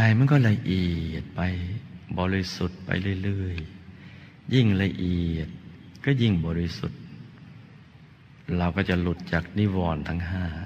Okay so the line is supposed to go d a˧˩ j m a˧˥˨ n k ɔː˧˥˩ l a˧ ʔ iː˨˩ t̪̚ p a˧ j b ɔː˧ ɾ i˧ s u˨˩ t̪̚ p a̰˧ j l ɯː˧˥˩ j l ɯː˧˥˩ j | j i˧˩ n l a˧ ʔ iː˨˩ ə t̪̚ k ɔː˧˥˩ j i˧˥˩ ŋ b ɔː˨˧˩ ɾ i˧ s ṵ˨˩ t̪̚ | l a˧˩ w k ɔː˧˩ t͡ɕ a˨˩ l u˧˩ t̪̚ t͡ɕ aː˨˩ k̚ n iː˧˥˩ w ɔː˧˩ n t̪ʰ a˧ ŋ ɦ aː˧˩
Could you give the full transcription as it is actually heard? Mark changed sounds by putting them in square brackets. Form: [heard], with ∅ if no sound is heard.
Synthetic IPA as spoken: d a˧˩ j m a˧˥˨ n k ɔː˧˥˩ l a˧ ʔ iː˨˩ t̪̚ p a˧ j b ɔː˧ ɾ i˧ s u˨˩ t̪̚ p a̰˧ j l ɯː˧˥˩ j l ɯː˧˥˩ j | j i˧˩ [ŋ] l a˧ ʔ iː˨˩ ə t̪̚ k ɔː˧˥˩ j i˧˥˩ ŋ b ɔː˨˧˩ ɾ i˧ s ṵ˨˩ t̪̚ | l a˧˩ w k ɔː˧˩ t͡ɕ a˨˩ l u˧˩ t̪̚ t͡ɕ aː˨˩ k̚ n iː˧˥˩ w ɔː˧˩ n t̪ʰ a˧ ŋ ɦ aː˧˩